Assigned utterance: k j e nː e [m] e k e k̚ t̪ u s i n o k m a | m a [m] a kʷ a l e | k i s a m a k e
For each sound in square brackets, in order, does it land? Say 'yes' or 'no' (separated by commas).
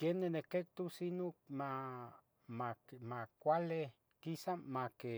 no, yes